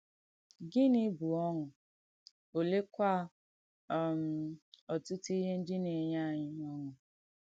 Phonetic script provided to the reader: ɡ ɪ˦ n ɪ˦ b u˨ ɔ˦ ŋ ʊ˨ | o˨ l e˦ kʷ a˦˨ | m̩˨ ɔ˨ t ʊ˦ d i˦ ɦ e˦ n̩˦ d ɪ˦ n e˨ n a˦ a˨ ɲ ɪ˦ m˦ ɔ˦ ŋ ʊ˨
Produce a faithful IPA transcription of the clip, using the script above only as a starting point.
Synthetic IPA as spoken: ɡ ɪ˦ n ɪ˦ b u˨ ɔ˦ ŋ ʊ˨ | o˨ l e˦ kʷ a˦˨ | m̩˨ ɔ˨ t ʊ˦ t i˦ ɦ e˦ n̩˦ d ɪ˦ n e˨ ɲ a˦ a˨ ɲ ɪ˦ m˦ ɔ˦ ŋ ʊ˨